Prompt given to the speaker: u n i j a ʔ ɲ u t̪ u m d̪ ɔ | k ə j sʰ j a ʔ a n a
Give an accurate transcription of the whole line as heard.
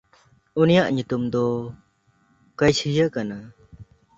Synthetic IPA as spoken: u n i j a ʔ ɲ u t̪ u m d̪ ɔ | k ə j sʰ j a k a n a